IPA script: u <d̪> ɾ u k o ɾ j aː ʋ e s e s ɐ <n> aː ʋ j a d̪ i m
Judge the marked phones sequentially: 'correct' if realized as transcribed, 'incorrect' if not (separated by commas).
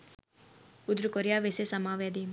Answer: correct, incorrect